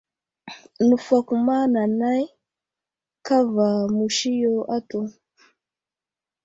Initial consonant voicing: voiced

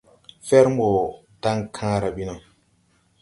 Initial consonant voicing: voiceless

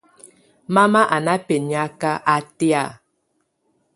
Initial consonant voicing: voiced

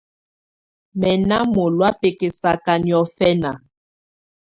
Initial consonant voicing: voiced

